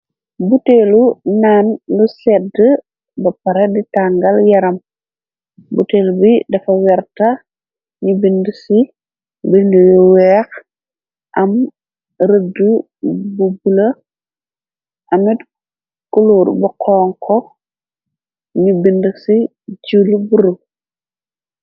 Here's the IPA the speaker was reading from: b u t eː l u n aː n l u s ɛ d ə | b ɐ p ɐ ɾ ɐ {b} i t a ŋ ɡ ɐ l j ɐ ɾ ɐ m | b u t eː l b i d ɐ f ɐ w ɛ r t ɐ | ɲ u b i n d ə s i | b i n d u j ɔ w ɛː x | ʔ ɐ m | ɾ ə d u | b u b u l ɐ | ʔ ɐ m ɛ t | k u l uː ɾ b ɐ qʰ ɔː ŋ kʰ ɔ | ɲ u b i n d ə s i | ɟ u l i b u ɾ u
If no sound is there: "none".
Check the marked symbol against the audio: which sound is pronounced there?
d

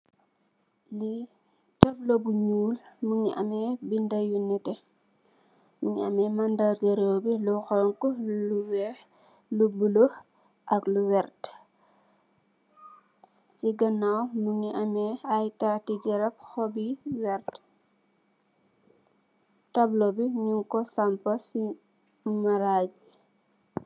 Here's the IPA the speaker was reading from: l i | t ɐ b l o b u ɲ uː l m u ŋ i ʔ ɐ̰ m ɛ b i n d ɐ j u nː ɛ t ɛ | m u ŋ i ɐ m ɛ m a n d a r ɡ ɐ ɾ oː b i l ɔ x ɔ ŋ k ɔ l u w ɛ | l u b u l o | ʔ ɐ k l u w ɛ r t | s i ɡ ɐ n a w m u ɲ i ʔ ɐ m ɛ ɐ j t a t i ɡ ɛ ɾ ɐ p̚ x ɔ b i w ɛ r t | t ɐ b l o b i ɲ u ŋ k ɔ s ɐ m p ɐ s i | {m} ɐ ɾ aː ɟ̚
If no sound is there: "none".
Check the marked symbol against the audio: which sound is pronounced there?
m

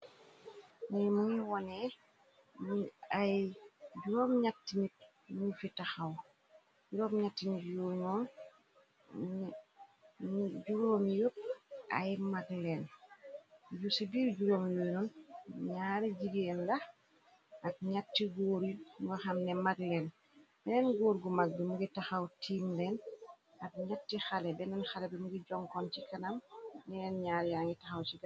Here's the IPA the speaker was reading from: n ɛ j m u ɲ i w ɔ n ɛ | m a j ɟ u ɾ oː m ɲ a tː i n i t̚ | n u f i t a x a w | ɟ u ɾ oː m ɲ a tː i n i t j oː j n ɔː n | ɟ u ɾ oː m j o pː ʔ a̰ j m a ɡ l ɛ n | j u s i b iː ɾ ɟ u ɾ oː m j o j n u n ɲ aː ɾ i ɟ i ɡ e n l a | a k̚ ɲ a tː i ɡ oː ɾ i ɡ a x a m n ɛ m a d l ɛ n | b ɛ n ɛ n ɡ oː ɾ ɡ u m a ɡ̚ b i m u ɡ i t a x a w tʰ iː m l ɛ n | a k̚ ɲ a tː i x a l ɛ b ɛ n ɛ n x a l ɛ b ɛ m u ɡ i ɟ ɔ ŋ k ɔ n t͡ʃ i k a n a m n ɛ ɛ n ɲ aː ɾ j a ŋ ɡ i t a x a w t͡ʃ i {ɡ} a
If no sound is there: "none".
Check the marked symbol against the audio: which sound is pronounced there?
ɡ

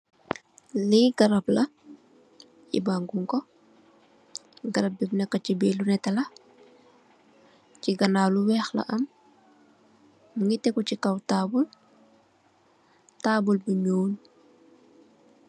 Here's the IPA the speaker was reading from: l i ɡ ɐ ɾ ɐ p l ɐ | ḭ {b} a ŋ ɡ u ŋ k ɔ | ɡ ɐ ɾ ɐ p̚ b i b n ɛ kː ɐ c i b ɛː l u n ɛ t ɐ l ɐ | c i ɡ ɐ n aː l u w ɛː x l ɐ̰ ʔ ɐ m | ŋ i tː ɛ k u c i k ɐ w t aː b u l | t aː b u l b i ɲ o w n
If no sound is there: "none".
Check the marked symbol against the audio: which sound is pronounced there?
b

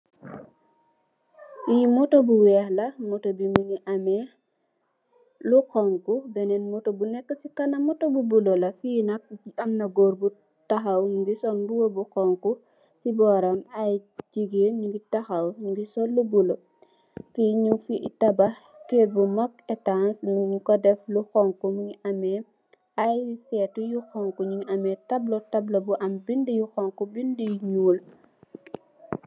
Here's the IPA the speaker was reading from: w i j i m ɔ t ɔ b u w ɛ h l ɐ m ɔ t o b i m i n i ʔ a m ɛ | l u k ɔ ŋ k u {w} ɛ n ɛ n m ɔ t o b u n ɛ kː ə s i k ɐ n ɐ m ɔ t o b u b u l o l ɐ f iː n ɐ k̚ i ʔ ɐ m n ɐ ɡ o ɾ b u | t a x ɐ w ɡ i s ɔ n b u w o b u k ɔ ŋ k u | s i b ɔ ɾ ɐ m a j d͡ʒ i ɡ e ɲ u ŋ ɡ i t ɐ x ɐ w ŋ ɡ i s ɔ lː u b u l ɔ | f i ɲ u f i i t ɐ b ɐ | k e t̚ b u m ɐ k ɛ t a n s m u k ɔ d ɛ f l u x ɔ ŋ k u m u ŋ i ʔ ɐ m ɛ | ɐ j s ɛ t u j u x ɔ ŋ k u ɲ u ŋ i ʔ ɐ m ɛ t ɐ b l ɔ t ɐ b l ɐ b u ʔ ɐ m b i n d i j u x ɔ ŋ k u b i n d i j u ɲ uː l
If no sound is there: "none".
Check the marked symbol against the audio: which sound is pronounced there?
b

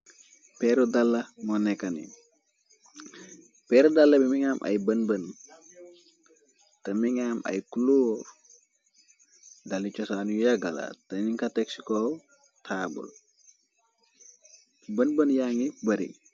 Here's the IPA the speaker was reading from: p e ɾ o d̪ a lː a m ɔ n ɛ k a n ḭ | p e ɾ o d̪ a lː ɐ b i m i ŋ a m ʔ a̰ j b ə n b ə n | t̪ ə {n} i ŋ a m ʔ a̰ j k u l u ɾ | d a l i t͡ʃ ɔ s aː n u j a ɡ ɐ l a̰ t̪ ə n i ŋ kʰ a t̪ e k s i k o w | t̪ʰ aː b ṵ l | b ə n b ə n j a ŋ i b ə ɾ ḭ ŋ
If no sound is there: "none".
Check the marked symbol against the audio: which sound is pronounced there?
m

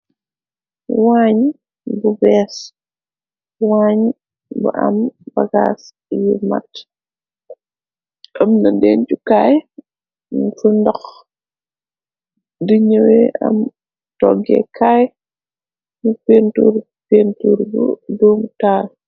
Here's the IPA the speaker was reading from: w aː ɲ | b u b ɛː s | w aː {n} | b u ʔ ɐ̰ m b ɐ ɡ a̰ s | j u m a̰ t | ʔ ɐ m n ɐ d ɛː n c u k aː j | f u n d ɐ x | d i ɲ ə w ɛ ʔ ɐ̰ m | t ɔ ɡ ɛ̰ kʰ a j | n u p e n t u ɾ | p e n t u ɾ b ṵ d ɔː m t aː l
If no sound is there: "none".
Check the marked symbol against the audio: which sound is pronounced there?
ɲ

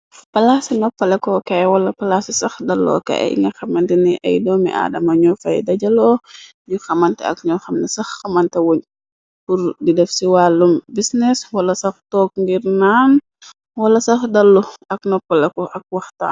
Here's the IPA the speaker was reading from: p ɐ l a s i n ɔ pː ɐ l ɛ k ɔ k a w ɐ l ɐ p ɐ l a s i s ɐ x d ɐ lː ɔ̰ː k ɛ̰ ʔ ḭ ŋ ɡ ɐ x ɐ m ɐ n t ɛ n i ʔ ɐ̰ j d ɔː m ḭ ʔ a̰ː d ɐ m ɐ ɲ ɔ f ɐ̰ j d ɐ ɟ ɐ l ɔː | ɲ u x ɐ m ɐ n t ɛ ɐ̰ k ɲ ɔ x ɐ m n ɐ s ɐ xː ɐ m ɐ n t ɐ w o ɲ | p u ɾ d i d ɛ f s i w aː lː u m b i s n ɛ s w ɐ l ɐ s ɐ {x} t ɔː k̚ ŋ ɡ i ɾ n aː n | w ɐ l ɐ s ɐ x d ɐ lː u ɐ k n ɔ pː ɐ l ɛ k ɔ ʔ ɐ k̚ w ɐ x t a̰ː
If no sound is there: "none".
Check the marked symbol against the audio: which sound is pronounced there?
x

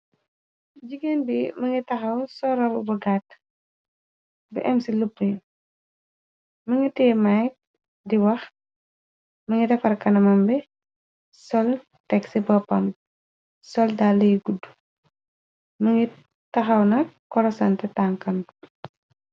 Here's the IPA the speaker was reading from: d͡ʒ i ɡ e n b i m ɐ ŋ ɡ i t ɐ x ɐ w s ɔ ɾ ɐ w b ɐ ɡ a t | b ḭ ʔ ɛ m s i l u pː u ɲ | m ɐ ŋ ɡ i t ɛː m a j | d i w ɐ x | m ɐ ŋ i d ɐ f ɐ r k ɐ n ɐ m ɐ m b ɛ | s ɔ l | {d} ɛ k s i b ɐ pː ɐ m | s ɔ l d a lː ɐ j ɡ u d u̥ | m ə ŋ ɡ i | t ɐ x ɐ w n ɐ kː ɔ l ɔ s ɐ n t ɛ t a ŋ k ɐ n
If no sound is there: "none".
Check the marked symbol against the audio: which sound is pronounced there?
t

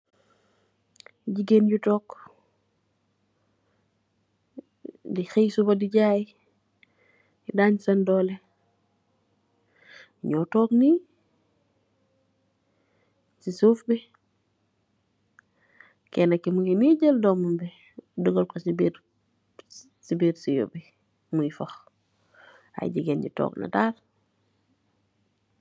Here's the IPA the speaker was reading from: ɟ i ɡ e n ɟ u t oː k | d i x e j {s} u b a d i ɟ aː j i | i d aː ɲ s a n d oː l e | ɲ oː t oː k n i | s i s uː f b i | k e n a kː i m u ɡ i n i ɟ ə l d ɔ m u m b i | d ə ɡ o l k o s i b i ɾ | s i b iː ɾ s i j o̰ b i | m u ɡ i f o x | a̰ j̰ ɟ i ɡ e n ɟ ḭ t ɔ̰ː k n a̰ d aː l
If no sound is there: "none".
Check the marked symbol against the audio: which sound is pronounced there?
s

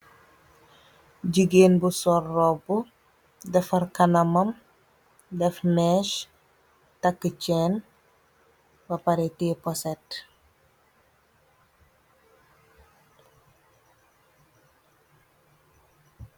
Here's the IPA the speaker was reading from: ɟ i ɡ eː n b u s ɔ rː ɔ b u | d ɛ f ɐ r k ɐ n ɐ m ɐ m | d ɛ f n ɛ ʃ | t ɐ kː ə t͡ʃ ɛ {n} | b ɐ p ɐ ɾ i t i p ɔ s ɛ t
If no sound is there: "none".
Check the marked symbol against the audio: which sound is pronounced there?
n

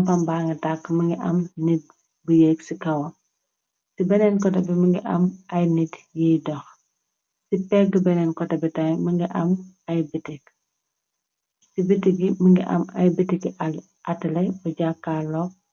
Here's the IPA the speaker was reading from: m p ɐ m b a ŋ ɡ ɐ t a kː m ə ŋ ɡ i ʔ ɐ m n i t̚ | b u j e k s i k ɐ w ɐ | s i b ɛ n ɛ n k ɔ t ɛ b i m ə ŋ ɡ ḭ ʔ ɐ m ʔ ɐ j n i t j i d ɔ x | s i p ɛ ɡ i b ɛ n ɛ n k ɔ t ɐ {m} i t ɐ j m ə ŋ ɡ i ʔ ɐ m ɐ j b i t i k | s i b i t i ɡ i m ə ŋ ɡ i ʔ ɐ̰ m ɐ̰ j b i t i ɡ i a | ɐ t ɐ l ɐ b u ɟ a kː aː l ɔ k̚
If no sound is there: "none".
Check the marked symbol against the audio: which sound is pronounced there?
b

